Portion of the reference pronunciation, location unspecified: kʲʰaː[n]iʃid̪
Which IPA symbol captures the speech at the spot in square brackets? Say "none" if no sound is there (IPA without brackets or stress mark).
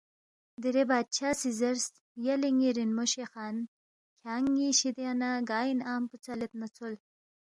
ŋ